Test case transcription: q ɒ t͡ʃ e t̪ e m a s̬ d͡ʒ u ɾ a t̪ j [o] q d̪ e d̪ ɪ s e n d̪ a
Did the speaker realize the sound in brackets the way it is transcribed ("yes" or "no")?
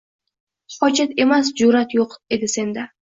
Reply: yes